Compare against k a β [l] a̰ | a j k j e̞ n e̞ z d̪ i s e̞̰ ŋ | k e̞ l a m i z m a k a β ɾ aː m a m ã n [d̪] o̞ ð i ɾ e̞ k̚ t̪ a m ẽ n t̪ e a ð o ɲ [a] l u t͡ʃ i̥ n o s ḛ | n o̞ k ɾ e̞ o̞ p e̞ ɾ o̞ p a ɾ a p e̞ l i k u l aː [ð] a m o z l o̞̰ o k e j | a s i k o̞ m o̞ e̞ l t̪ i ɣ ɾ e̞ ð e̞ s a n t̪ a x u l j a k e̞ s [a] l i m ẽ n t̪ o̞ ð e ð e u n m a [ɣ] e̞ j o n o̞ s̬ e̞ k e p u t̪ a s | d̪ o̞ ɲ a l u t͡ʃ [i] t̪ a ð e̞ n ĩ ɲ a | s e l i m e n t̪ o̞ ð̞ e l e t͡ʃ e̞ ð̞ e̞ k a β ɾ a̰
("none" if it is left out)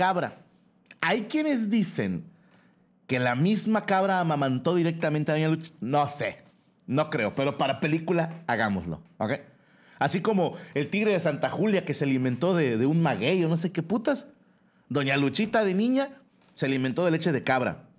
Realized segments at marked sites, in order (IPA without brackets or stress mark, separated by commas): ɾ, t̪, a, ɣ, e, ɣ, i